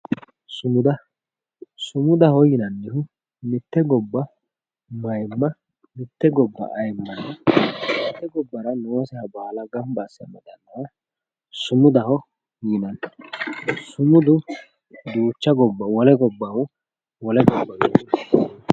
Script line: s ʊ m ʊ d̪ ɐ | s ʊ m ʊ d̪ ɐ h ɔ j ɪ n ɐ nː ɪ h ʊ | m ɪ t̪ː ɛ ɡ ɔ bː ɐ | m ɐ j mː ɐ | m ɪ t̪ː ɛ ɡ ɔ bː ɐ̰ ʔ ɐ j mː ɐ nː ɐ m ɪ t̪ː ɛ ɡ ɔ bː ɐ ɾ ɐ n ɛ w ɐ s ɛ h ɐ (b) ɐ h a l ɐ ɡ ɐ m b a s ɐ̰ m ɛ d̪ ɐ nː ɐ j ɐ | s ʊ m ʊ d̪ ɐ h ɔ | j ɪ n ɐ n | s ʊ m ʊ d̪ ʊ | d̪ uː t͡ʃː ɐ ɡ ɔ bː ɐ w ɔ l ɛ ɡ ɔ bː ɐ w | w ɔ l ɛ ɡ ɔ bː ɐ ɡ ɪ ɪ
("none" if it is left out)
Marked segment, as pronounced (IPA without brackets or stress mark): b